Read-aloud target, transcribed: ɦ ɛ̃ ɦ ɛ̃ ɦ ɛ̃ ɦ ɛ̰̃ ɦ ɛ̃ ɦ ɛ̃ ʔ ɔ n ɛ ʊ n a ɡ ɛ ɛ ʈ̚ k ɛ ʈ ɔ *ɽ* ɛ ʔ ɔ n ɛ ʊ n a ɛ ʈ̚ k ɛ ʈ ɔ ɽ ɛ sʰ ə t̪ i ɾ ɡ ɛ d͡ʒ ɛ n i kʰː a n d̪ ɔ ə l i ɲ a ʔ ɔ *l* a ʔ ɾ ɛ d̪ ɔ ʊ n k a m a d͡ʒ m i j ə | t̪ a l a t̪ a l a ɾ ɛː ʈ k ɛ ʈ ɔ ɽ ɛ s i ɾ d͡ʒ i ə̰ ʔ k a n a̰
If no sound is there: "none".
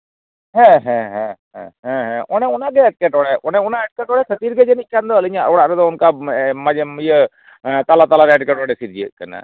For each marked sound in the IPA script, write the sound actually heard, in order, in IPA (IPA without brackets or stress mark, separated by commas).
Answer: ɽ, ɽ